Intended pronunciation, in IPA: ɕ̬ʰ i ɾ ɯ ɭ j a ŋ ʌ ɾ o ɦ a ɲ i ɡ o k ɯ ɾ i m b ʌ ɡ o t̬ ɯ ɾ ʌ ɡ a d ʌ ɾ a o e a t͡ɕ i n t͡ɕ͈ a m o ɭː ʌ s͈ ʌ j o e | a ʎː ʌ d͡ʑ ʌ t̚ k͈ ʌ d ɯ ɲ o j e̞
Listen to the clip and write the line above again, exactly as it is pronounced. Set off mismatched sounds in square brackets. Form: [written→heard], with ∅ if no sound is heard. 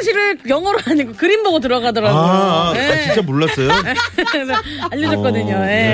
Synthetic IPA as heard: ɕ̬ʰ i ɾ ɯ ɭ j [a→ʌ] ŋ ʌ ɾ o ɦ a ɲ i ɡ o k ɯ ɾ i m b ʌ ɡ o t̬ ɯ ɾ ʌ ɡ a d ʌ ɾ a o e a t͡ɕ i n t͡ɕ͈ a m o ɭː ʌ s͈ ʌ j o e | a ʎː ʌ d͡ʑ ʌ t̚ k͈ ʌ d ɯ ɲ o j e̞